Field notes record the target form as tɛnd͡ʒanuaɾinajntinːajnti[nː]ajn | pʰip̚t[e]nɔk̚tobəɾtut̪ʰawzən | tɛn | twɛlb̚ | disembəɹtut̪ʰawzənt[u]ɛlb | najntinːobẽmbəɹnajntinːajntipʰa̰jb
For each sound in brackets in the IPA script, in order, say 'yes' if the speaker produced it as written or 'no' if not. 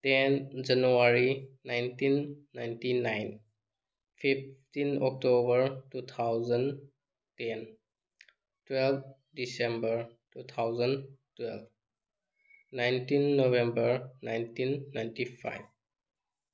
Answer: no, no, no

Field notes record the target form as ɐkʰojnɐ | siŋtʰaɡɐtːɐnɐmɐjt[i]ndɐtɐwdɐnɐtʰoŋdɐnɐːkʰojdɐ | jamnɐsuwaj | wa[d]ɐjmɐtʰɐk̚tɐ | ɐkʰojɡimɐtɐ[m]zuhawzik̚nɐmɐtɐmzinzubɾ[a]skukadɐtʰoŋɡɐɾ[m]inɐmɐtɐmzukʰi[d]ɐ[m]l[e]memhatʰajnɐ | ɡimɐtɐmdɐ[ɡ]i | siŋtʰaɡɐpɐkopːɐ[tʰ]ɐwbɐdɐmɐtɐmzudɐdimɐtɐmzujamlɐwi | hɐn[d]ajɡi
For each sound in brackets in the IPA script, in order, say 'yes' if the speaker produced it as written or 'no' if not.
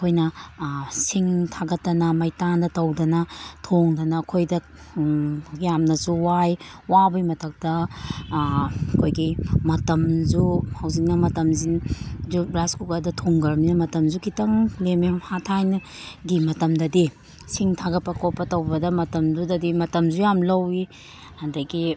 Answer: no, no, yes, yes, yes, no, no, yes, no, no, yes

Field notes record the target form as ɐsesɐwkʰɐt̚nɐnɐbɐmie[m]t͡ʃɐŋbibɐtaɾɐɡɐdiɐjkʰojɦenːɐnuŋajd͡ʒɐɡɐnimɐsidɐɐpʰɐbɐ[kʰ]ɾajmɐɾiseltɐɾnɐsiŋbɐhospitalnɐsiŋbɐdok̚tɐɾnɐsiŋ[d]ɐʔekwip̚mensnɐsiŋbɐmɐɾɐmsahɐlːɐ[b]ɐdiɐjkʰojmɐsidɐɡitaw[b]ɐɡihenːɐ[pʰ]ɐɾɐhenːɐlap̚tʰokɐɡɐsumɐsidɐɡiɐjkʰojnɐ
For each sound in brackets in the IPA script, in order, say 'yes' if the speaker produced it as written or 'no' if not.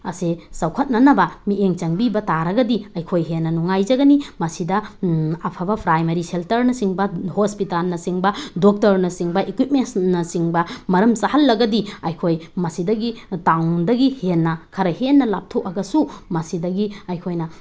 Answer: no, no, no, no, no, no

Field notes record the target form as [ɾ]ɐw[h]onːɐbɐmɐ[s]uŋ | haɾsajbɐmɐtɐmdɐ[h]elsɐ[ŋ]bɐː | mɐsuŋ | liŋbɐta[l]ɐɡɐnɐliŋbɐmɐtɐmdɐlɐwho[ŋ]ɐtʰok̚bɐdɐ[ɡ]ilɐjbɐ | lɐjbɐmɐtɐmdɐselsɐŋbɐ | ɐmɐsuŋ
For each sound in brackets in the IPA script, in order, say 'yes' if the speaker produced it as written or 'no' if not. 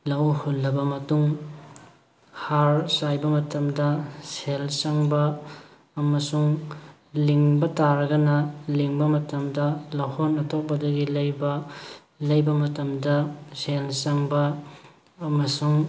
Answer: no, yes, no, no, yes, no, no, yes

